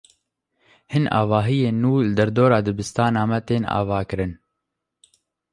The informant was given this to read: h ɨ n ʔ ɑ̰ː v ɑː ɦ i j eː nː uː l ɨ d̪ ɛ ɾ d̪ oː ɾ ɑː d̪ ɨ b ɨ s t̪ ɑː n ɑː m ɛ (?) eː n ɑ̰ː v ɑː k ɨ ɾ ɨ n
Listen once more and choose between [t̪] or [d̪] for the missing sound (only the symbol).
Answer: t̪